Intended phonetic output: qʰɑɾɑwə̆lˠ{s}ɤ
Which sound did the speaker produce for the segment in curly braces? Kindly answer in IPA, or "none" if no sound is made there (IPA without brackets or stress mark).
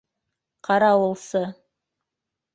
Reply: s